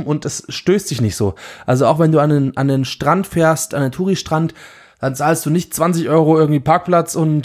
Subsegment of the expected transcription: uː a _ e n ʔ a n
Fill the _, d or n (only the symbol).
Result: n